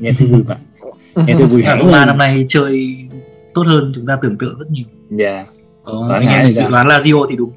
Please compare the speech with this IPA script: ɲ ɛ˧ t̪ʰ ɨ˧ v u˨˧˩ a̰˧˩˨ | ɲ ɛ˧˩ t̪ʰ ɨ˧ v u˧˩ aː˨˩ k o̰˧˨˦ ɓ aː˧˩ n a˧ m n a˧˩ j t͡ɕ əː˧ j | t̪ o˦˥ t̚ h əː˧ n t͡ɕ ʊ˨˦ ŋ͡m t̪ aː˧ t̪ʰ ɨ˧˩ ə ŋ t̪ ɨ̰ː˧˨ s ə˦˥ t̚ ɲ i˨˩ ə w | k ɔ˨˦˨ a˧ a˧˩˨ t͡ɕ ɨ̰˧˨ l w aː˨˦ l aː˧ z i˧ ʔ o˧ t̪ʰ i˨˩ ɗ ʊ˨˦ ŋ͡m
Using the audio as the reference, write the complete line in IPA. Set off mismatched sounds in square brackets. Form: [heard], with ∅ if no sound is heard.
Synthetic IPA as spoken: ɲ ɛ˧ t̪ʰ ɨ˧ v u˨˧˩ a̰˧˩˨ | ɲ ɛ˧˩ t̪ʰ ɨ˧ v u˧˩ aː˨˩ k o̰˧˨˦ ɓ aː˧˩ n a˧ m n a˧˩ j t͡ɕ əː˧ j | t̪ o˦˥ t̚ h əː˧ n t͡ɕ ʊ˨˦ ŋ͡m t̪ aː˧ [t̪] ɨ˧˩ ə ŋ t̪ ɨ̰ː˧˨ [z] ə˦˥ t̚ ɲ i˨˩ ə w | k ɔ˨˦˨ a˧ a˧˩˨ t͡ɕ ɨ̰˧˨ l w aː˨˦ l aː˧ z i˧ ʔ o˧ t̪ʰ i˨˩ ɗ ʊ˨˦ ŋ͡m